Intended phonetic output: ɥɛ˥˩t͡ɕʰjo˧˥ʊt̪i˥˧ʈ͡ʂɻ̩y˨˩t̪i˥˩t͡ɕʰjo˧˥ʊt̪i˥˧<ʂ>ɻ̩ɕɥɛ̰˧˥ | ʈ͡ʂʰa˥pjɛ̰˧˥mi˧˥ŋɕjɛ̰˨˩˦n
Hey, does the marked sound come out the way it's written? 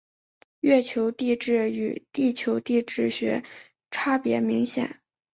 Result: no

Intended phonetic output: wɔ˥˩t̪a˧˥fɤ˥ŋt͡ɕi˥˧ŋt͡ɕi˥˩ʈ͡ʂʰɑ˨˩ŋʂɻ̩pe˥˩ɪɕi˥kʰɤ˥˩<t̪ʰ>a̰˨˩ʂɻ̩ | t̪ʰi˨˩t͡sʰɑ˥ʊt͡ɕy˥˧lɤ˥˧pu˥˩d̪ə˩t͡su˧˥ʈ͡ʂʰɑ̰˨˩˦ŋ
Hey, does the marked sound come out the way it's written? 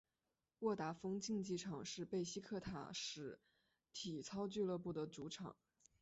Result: yes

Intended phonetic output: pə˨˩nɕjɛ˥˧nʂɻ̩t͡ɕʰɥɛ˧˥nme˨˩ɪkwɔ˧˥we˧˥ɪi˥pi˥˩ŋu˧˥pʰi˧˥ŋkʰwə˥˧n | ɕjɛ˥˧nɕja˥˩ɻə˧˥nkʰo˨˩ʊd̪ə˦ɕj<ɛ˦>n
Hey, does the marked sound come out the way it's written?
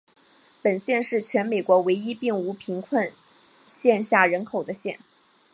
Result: no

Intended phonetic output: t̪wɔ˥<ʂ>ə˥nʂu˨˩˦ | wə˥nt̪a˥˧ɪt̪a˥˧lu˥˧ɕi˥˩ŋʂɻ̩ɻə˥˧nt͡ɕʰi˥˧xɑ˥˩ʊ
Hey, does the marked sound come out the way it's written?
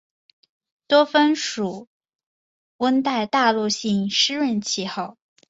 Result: no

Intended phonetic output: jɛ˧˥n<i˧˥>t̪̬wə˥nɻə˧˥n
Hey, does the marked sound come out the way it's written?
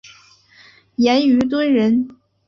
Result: no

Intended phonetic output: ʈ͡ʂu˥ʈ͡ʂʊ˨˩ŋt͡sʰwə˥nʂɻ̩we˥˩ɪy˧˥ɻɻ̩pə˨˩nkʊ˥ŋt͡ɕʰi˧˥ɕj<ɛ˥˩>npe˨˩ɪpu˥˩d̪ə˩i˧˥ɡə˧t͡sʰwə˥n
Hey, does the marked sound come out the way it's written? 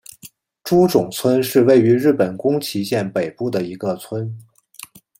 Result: yes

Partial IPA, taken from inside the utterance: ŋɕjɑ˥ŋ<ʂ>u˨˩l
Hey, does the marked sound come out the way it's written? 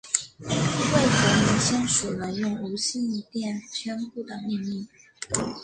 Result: yes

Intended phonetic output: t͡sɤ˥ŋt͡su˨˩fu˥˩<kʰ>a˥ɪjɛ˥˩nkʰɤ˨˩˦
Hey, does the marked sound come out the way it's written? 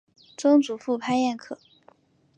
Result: no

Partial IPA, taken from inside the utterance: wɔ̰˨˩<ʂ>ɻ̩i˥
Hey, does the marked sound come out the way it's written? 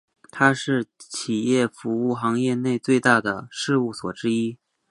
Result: no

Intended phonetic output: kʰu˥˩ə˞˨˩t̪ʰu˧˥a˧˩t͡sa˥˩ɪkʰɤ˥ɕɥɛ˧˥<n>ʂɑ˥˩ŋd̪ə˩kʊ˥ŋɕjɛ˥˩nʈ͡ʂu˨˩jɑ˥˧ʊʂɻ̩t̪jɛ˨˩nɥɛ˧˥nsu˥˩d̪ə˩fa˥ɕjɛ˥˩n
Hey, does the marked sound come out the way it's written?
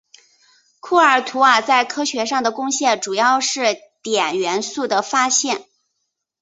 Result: no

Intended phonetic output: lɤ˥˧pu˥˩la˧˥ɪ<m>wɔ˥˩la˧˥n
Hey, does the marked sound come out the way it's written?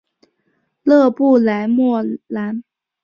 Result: yes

